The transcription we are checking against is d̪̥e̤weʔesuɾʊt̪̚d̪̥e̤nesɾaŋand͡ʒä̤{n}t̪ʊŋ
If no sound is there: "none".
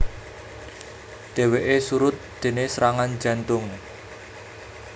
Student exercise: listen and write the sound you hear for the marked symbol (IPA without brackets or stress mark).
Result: n